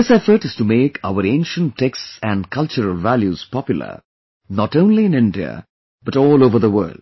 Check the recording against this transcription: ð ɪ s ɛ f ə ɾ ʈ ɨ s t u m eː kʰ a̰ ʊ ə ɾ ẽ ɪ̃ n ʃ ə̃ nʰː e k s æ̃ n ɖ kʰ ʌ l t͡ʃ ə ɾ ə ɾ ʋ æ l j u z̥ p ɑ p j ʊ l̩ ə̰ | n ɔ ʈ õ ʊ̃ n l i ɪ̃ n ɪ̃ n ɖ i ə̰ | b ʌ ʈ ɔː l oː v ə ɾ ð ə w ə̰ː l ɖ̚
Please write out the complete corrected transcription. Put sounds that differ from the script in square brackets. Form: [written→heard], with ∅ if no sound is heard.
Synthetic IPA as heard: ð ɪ s ɛ f ə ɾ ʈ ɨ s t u m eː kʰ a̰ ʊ ə ɾ ẽ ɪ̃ n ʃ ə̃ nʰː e k s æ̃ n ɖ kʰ ʌ l t͡ʃ ə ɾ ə [ɾ→l] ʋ æ l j u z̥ p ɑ p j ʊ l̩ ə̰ | n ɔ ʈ õ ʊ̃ n l i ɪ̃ n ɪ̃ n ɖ i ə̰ | b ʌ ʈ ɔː l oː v ə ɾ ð ə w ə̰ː l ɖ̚